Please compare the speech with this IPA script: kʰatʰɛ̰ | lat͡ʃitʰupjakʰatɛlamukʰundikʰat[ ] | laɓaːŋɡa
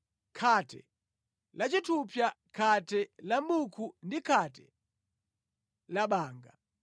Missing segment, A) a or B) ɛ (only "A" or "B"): B